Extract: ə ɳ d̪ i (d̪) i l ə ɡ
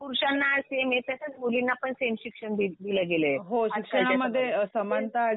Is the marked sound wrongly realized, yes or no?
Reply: no